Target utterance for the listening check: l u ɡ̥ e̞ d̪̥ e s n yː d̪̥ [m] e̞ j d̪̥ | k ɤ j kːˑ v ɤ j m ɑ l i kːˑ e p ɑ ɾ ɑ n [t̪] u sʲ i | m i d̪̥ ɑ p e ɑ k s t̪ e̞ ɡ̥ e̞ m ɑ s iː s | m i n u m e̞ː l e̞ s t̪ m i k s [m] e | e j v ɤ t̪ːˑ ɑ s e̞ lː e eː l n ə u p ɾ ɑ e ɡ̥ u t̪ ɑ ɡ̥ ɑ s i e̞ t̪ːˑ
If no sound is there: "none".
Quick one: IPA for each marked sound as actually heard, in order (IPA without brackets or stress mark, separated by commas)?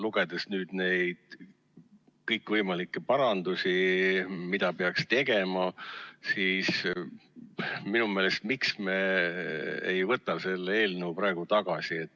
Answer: n, d̪, m